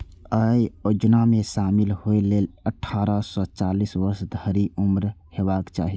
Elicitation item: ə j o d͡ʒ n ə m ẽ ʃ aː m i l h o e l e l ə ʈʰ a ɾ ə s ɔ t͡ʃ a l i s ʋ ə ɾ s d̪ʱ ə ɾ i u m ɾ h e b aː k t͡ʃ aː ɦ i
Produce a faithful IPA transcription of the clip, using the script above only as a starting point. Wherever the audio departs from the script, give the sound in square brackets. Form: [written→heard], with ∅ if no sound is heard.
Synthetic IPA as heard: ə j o d͡ʒ n [ə→a] m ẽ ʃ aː m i l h o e l e l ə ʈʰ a ɾ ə s ɔ t͡ʃ a l i s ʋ ə ɾ s d̪ʱ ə ɾ i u m ɾ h e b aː k t͡ʃ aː ɦ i

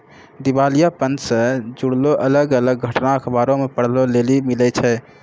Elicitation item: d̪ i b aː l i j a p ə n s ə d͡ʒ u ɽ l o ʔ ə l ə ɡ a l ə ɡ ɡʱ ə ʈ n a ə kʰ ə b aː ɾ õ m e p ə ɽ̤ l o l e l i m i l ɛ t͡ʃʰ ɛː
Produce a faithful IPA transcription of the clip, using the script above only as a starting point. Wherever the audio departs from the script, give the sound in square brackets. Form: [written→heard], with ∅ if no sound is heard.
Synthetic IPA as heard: d̪ i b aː l i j a p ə n s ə d͡ʒ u ɽ l o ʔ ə l ə ɡ [a→ə] l ə ɡ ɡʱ ə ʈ n a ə kʰ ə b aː ɾ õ m e p ə ɽ̤ l o l e l i m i l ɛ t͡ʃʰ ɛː

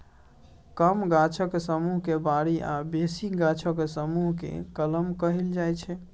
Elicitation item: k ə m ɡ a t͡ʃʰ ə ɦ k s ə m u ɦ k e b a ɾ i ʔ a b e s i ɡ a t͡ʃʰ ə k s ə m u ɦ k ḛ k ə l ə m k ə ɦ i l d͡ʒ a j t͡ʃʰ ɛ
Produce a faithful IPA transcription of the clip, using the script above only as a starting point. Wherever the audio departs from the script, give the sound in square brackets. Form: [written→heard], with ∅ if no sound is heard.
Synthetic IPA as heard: k ə m ɡ a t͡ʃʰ ə [ɦ→∅] k s ə m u ɦ k e b a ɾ i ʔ a b e s i ɡ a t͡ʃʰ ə k s ə m u ɦ k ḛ k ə l ə m k ə ɦ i l d͡ʒ a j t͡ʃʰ ɛ

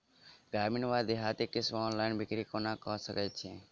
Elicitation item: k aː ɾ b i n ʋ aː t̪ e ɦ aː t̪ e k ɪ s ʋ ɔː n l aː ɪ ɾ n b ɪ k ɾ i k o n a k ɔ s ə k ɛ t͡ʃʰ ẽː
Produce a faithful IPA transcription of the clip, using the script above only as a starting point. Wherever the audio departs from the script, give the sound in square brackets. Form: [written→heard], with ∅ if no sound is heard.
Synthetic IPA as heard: [k→ɡ] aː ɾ [b→m] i n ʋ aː [t̪→d̪] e ɦ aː t̪ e k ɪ s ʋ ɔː n l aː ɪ [ɾ→∅] n b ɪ k ɾ i k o n a k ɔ s ə k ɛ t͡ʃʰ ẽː

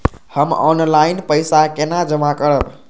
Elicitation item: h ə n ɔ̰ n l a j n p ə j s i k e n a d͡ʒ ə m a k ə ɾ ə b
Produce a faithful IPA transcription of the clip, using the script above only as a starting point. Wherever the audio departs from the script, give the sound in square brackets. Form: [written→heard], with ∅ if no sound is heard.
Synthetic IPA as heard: h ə [n→m] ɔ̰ n l a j n p ə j s [i→a] k e n a d͡ʒ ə m a k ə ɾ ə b

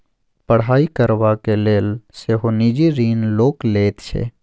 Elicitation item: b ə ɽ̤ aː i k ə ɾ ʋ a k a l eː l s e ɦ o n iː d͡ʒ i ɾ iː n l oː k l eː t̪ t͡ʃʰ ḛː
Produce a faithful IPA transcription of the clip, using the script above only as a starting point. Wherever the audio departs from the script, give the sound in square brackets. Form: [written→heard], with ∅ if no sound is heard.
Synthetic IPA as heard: [b→p] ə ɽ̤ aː i k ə ɾ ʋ a k [a→e] l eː l s e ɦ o n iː d͡ʒ i ɾ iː n l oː k l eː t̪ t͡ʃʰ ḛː

